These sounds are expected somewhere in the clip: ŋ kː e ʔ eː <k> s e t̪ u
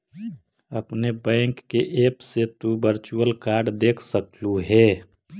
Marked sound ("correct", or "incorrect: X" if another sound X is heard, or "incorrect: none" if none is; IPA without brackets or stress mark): incorrect: p